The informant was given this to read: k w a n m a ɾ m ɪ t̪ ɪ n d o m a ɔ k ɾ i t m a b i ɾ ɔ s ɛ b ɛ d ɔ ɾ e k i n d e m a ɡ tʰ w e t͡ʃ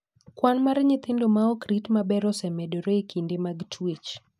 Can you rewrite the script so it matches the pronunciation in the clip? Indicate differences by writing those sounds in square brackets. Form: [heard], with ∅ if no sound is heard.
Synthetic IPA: k w a n m a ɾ [ɲ] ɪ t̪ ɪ n d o m a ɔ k ɾ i t m a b [ɛ] ɾ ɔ s ɛ [m] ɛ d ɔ ɾ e k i n d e m a ɡ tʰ w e t͡ʃ